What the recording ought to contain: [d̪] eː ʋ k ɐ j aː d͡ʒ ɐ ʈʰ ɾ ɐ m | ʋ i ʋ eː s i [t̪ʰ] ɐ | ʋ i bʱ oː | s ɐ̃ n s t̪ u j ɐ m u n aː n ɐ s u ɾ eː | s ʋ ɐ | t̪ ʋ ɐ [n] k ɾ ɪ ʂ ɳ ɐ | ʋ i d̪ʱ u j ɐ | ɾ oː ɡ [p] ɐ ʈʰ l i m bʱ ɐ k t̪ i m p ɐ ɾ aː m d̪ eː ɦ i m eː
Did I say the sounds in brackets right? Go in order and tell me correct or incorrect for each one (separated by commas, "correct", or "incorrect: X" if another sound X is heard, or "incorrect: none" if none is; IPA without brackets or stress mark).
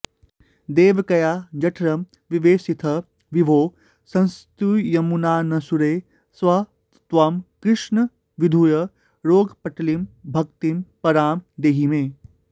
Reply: correct, correct, incorrect: m, correct